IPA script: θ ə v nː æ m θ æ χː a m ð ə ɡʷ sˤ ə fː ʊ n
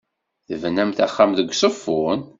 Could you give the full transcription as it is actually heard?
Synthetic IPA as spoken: θ ə v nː æ m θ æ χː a m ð ə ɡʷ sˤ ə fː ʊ n